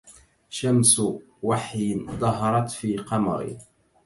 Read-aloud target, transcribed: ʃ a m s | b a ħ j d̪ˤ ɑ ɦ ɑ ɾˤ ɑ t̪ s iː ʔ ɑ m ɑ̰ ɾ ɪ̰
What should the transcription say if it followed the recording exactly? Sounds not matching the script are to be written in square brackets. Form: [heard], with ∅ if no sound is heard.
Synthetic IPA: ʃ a m s | [w] a ħ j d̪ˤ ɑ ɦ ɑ ɾˤ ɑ t̪ [f] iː [q] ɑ m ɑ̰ ɾ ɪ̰